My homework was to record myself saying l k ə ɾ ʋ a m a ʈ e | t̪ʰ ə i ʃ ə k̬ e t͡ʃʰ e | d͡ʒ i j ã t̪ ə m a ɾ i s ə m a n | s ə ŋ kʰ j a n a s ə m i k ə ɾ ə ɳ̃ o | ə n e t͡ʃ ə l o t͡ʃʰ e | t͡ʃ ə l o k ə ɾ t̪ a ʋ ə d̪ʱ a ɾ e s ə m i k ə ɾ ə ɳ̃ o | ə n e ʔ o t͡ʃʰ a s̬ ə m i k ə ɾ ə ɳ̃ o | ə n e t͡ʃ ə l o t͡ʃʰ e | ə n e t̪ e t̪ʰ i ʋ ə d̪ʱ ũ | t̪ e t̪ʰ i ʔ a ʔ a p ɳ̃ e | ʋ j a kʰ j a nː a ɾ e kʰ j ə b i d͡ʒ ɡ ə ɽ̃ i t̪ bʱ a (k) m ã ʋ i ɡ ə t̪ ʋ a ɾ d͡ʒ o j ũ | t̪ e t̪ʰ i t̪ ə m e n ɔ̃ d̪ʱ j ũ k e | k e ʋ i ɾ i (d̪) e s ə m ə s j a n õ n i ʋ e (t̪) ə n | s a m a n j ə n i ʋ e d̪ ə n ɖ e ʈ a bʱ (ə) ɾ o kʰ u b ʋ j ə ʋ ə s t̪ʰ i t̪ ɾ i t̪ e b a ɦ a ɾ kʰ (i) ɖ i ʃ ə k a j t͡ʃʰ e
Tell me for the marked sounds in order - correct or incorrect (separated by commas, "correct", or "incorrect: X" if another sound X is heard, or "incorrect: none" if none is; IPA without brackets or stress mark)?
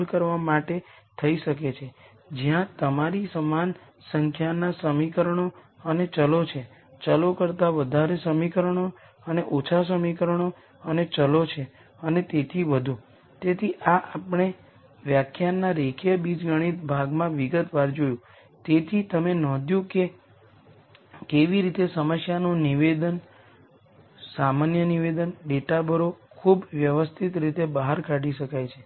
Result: incorrect: ɡ, incorrect: t̪, incorrect: d̪, correct, incorrect: a